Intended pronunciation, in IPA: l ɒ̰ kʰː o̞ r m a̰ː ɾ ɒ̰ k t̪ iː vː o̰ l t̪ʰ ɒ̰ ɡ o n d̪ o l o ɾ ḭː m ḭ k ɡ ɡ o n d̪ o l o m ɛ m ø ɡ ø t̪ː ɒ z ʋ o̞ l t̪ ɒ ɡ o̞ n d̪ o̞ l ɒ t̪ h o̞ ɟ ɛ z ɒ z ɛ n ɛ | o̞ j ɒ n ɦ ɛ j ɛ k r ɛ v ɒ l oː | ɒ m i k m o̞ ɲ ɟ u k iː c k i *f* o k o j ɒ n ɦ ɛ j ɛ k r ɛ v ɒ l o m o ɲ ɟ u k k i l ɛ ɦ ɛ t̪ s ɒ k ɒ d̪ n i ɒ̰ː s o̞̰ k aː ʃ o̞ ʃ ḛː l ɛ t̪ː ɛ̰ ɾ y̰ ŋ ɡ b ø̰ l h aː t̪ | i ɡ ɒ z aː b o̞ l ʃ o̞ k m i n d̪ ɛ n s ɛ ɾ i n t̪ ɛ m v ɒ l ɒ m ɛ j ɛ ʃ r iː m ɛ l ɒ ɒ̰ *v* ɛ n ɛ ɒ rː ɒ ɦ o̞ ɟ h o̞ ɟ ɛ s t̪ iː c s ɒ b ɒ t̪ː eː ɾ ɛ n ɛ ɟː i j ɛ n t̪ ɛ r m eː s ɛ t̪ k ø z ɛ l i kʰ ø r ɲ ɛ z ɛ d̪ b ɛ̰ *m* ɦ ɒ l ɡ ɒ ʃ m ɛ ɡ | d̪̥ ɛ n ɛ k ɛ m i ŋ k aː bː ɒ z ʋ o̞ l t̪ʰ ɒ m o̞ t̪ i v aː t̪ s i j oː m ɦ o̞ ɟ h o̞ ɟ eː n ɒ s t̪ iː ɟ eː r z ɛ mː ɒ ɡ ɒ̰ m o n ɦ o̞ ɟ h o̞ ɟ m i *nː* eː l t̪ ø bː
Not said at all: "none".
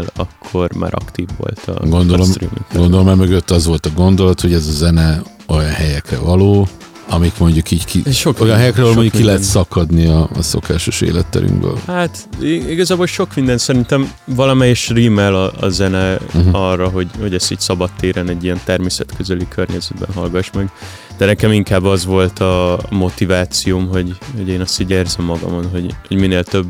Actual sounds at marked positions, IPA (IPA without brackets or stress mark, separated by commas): ʃ, z, n, n